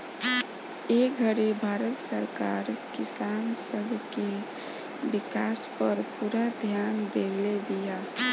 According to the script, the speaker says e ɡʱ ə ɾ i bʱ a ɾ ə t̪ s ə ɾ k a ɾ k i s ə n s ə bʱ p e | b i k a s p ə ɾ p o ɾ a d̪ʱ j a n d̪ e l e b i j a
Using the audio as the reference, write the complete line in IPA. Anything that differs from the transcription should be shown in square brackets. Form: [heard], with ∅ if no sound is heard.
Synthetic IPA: e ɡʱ ə ɾ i bʱ a ɾ ə t̪ s ə ɾ k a ɾ k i s [a] n s ə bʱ [k] e | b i k a s p ə ɾ p [u] ɾ a d̪ʱ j a n d̪ e l e b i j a